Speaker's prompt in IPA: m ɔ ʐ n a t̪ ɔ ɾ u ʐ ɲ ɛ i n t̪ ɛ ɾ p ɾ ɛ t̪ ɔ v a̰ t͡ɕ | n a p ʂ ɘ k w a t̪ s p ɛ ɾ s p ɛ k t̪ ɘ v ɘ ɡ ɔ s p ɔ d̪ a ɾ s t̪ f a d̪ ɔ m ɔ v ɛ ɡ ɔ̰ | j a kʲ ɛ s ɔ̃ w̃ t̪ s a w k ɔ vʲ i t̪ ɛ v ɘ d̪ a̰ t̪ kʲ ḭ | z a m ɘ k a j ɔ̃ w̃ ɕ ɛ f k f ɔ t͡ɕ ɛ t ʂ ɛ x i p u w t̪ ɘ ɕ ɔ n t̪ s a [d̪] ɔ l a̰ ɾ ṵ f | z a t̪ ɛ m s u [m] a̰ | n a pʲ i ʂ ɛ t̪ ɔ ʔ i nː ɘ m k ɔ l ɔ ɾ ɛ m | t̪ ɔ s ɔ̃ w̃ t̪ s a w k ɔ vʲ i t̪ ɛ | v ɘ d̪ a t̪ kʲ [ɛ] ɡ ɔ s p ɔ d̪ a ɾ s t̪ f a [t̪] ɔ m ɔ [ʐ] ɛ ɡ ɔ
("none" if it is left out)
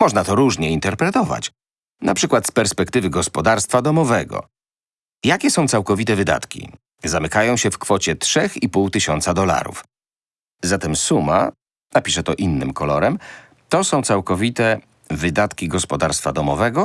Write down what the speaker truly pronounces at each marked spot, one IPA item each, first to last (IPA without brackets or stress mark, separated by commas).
d̪, m, i, d̪, v